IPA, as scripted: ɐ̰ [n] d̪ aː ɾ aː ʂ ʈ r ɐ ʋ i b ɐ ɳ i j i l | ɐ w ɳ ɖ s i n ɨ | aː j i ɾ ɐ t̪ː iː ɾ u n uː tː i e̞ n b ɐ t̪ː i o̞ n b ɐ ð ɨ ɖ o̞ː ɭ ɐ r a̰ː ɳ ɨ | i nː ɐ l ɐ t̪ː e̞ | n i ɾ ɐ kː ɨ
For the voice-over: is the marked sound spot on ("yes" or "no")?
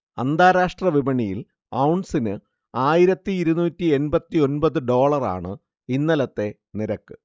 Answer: yes